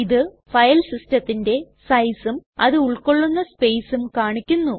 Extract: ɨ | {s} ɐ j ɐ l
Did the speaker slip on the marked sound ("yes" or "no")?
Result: yes